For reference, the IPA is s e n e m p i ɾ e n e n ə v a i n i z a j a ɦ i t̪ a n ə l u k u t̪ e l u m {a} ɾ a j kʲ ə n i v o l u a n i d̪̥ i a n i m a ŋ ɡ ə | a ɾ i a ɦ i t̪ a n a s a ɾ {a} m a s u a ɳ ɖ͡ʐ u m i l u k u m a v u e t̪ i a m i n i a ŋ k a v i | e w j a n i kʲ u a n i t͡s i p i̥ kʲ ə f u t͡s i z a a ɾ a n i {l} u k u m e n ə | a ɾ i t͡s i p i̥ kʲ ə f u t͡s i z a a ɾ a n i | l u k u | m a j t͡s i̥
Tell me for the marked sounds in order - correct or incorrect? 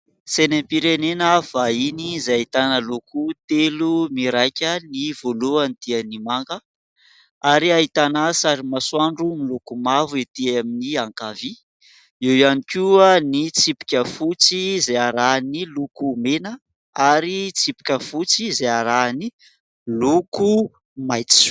incorrect, incorrect, correct

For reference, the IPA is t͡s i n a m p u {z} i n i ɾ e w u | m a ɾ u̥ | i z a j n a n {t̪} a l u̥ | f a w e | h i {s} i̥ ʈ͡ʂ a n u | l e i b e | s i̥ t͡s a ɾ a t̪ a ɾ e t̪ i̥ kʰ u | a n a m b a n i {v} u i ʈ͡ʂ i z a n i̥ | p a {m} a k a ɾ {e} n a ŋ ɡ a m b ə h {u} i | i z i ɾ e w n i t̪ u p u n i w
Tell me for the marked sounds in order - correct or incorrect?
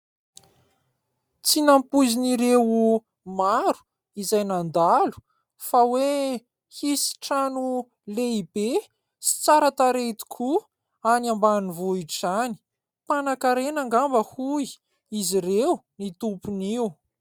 correct, incorrect, correct, correct, incorrect, correct, correct

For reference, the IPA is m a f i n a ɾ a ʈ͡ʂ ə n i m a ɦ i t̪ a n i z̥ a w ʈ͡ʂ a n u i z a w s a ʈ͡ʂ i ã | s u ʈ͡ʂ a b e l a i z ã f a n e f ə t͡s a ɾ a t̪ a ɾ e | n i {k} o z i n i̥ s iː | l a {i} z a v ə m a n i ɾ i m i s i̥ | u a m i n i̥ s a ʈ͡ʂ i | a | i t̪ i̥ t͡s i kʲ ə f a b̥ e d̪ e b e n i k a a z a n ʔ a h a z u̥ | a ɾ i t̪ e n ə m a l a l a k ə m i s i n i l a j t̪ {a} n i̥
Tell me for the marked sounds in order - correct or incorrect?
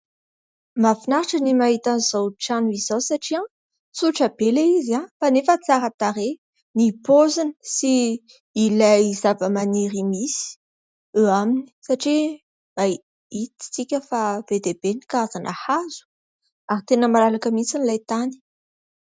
incorrect, incorrect, correct

